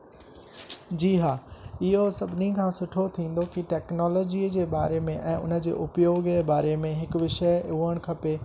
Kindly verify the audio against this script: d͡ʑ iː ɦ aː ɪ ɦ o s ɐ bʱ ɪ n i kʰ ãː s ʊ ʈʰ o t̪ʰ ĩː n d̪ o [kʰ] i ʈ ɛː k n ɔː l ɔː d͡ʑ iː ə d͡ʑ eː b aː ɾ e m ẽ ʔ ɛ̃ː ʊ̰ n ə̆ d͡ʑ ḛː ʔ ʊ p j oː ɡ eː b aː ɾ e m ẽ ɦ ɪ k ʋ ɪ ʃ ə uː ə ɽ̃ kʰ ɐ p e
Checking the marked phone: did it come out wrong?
yes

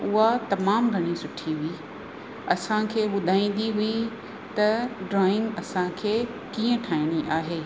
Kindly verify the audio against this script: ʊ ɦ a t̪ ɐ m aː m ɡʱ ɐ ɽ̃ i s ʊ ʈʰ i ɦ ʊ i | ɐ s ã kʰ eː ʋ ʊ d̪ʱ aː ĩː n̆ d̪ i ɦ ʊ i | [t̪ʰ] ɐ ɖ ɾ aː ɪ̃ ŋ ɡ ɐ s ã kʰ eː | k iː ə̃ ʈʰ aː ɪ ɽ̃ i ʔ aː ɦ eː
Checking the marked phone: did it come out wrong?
yes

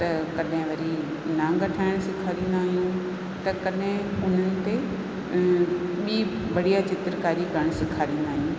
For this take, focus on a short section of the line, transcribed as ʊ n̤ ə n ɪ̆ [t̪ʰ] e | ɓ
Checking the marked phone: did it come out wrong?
yes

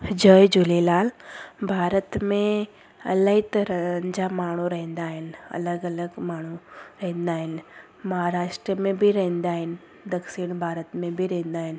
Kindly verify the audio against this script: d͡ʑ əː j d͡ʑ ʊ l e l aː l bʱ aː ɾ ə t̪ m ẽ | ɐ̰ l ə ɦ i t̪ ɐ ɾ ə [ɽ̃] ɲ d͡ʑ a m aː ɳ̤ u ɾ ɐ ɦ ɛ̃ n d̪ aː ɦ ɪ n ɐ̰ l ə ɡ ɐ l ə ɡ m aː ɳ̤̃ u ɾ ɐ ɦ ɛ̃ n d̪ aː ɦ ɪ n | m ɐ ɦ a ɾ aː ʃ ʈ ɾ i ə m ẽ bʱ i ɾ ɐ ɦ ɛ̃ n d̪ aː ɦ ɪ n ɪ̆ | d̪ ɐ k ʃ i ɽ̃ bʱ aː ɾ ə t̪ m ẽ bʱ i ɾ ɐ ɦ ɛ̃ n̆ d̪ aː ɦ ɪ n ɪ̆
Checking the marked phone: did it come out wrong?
yes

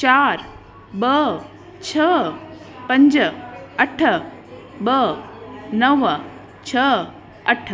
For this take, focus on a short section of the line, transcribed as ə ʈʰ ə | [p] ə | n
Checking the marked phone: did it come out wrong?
yes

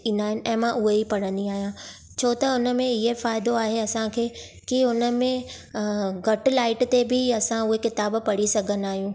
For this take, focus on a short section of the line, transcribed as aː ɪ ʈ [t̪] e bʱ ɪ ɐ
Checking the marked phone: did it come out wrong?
no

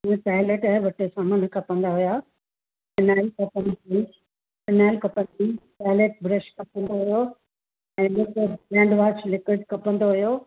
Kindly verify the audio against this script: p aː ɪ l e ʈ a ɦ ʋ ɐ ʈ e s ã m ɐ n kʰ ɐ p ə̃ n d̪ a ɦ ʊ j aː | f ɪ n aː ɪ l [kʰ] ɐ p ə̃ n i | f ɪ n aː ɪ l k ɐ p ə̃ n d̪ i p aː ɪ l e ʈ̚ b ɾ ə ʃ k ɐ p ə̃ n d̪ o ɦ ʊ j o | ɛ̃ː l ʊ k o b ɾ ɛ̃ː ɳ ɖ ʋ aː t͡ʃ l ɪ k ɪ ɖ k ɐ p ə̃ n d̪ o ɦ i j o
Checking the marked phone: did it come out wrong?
yes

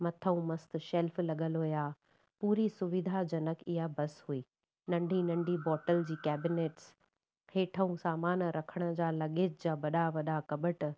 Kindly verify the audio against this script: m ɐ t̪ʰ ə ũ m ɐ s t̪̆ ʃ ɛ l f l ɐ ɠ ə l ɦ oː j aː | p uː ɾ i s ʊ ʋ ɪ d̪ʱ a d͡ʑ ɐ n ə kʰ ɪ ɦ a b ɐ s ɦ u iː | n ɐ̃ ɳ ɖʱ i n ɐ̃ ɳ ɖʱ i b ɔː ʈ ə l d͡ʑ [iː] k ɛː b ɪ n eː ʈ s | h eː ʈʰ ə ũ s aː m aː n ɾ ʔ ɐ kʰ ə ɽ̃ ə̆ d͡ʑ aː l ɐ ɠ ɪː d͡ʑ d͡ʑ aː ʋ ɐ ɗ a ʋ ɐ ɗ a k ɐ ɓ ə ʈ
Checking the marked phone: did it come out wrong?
no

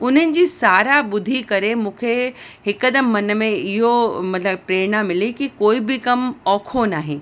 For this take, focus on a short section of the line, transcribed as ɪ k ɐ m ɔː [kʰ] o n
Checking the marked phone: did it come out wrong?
no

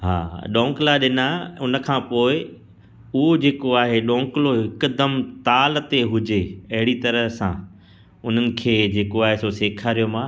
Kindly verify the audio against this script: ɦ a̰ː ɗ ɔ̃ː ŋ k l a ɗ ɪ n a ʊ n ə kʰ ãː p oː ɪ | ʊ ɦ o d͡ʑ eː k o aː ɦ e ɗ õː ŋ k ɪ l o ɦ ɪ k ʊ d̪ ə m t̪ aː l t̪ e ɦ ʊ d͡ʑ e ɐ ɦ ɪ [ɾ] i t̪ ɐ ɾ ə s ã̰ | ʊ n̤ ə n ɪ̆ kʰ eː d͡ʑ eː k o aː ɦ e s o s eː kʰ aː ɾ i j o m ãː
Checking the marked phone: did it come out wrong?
yes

